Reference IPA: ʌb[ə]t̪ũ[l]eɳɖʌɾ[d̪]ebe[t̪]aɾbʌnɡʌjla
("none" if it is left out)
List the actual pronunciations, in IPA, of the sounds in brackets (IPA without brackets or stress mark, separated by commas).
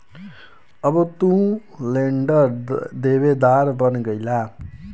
ʌ, l, d̪, d̪